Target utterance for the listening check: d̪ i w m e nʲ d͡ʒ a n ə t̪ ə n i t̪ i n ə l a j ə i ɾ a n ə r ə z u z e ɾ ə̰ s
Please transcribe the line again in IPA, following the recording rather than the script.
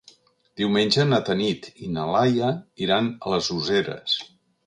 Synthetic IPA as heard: d̪ i w m e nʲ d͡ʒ ə n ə t̪ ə n i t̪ i n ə l a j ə i ɾ a n ə l ə z u z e ɾ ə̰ s